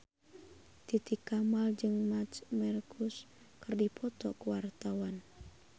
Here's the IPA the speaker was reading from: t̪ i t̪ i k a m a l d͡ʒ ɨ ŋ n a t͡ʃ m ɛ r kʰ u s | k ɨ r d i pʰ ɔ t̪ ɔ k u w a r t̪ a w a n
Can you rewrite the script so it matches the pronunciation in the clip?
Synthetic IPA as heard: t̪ i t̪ i k a m a l d͡ʒ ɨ ŋ m a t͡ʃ m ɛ r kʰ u s | k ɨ r d i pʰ ɔ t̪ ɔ k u w a r t̪ a w a n